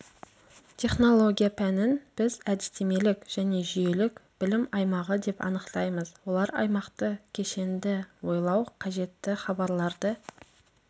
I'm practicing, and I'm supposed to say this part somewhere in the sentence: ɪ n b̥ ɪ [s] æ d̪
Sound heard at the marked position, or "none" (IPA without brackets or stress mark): z